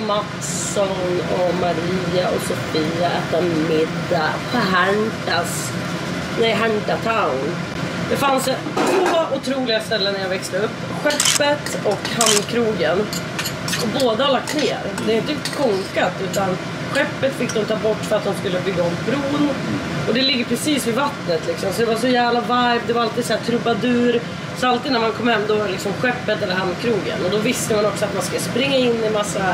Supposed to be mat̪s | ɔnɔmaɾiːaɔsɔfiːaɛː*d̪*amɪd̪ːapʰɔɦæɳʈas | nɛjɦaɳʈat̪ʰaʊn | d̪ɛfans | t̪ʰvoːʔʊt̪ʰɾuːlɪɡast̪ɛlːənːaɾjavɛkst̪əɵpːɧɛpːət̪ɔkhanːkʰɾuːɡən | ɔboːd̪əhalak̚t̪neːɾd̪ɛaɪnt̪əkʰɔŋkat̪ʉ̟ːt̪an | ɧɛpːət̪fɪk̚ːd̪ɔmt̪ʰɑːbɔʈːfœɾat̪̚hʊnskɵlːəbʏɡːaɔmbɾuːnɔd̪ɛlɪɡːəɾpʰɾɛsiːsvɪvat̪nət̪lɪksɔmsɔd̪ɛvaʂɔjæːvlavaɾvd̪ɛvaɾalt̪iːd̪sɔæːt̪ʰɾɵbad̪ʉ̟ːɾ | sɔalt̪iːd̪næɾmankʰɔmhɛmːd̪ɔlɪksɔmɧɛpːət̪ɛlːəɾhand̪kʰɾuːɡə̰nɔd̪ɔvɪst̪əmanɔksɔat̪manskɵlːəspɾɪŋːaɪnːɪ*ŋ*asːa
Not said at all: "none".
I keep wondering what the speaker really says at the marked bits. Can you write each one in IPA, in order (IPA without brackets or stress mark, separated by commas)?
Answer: t̪, m